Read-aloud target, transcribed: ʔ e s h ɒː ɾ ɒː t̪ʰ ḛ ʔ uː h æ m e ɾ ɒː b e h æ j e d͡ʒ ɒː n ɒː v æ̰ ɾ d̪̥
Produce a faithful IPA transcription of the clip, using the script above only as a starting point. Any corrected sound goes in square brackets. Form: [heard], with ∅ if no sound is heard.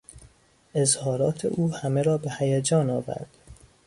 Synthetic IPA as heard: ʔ e [z] h ɒː ɾ ɒː t̪ʰ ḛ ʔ uː h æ m e ɾ ɒː b e h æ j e d͡ʒ ɒː n ɒː v æ̰ ɾ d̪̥